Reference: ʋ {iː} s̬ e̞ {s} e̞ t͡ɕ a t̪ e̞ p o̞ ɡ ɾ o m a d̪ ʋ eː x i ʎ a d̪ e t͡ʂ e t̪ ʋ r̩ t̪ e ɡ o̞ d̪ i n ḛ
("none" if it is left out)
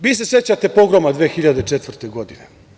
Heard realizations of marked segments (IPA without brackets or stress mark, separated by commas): iː, s